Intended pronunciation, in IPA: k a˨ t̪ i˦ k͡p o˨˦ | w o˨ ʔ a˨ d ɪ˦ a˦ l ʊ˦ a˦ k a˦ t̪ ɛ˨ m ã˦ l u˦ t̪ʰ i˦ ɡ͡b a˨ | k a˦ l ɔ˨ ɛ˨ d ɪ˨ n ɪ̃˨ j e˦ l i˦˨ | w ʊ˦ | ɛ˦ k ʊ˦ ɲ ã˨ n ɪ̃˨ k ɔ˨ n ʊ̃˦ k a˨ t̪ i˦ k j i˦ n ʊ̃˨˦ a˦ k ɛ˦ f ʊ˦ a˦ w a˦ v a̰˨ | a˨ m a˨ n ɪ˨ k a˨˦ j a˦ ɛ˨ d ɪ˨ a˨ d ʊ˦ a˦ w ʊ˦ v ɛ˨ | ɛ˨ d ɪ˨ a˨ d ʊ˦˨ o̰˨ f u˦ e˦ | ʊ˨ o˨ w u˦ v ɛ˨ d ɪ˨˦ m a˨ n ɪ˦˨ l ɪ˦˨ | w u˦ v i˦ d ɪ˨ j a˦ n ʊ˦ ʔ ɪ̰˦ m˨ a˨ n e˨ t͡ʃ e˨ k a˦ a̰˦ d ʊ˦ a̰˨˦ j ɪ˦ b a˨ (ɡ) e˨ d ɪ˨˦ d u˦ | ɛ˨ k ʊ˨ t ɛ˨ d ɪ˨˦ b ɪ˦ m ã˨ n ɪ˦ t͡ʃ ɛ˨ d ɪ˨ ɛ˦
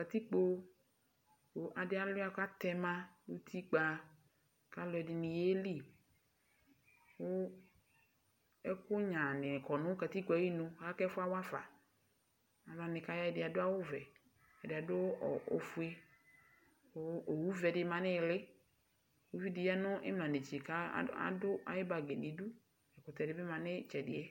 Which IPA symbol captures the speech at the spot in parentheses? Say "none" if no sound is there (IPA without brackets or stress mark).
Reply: ɡ